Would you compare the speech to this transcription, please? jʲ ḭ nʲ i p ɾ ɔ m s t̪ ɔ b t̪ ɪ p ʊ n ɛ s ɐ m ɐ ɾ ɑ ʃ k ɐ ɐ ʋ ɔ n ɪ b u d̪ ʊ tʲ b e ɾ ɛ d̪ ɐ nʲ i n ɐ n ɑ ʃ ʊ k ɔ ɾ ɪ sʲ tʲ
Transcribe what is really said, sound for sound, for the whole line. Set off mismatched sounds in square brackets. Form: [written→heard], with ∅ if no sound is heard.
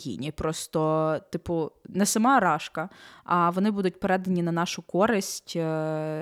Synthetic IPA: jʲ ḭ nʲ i p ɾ ɔ [m→∅] s t̪ ɔ [b→∅] t̪ ɪ p ʊ n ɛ s ɐ m [ɐ→ɑ] ɾ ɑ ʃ k ɐ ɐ ʋ ɔ n ɪ b u d̪ ʊ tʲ [b→p] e ɾ ɛ d̪ ɐ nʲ i n ɐ n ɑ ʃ ʊ k ɔ ɾ ɪ sʲ tʲ